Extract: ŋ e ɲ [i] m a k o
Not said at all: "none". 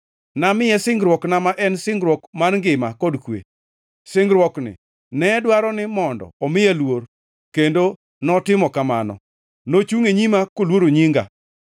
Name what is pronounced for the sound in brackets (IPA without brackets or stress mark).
i